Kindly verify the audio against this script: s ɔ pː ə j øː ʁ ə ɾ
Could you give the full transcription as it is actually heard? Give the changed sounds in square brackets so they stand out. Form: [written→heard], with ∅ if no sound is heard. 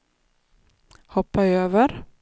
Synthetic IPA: [s→h] ɔ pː [ə→a] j øː [ʁ→v] ə ɾ